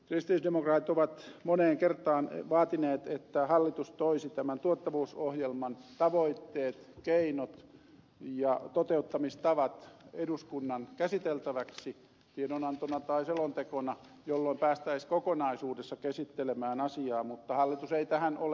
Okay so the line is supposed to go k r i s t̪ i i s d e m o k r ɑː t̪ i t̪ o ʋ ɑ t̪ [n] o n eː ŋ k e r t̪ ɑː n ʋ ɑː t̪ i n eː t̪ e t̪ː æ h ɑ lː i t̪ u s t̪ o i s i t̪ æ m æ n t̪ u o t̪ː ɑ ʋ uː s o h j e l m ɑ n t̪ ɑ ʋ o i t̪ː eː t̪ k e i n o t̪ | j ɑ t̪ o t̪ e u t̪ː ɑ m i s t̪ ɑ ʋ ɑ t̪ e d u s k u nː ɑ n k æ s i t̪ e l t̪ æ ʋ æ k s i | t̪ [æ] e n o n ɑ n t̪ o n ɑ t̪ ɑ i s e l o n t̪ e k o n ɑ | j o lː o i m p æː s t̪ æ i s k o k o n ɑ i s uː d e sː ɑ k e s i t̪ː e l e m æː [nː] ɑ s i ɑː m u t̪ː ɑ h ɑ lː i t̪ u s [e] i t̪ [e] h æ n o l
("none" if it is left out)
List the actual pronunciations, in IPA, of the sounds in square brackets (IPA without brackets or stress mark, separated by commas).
m, i, n, e, æ